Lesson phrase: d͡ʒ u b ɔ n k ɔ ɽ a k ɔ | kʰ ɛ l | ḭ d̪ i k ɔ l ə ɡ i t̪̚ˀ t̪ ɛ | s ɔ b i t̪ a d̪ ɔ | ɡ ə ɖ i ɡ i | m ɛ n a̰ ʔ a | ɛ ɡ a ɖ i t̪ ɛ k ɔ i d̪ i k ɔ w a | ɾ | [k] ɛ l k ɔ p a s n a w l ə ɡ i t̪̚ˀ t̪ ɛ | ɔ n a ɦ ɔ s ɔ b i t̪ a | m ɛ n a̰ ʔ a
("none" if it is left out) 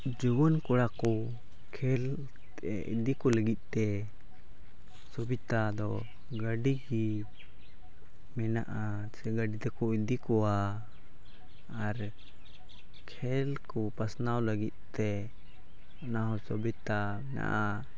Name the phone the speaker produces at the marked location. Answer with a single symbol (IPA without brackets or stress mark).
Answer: kʰ